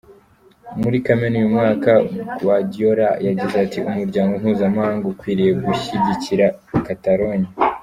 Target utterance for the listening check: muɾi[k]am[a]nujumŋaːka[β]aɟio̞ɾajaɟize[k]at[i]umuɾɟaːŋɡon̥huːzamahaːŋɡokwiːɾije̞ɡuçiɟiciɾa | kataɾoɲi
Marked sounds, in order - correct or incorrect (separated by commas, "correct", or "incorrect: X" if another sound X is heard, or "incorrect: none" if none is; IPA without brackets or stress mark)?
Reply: correct, incorrect: e, incorrect: w, incorrect: none, correct